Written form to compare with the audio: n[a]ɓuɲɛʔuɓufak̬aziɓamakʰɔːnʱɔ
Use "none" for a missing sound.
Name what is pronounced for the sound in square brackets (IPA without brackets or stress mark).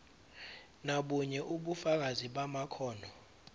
a